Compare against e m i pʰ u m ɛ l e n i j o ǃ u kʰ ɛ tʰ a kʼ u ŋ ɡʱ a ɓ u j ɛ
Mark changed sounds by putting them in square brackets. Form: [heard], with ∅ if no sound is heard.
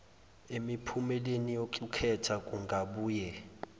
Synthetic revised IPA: e m i pʰ u m ɛ l e n i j o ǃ u kʰ ɛ tʰ a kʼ u ŋ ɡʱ a ɓ [uː] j ɛ